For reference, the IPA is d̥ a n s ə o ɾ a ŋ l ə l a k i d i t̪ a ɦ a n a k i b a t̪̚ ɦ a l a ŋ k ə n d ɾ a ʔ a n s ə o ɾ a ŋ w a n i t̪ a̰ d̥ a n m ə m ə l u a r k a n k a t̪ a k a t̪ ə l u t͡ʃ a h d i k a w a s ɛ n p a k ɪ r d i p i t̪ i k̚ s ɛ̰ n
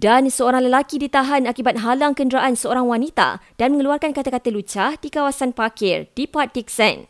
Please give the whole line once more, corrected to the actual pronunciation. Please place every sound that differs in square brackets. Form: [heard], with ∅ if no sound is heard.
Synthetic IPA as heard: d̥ a n s ə o ɾ a ŋ l ə l a k i d i t̪ a ɦ a n a k i b a t̪̚ ɦ a l a ŋ k ə n d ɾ a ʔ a n s ə o ɾ a ŋ w a n i t̪ a̰ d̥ a n m ə [ŋ] ə l u a r k a n k a t̪ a k a t̪ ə l u t͡ʃ a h d i k a w a s [a] n p a k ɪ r d i p [a] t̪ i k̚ s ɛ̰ n